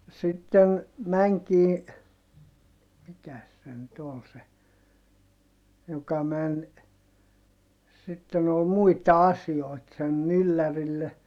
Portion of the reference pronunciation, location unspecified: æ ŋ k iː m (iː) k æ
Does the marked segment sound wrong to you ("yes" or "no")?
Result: yes